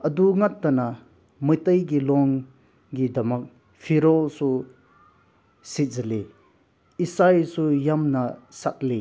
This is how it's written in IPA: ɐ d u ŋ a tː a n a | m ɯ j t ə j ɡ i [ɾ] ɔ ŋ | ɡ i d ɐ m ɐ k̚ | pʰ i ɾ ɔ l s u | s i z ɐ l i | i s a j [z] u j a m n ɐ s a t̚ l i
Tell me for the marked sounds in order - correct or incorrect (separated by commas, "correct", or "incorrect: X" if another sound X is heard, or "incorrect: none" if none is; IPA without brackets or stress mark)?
incorrect: l, incorrect: s